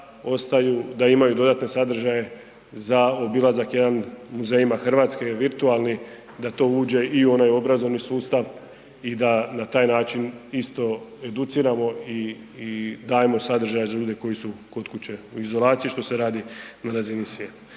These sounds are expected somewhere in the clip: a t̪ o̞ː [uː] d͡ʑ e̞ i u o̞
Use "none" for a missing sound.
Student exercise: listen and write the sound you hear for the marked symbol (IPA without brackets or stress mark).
uː